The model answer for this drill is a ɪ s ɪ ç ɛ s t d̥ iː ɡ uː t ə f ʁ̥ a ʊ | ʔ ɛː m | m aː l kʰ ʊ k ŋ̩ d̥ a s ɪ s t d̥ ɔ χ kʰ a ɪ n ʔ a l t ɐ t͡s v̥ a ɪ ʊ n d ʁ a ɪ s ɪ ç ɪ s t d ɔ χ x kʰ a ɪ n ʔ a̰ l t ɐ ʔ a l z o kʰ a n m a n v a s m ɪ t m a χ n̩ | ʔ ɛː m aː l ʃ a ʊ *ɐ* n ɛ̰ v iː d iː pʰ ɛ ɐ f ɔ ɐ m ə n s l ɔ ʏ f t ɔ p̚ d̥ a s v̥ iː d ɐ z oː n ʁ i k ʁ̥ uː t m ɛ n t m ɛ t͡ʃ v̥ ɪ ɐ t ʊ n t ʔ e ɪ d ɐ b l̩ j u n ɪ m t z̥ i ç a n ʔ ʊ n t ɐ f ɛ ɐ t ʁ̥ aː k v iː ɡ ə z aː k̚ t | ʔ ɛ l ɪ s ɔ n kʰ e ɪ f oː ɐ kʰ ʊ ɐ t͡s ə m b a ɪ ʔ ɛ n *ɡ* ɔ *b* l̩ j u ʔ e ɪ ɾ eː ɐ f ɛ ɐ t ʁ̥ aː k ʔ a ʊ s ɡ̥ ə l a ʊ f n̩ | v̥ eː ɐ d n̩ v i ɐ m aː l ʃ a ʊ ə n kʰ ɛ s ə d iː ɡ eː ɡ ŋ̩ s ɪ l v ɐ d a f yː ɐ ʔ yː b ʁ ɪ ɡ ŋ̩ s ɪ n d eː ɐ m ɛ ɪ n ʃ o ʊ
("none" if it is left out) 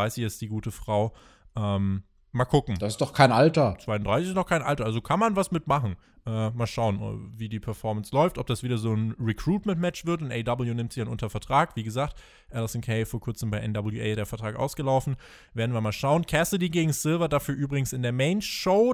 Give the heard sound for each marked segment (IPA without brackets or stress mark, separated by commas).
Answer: ə, d, b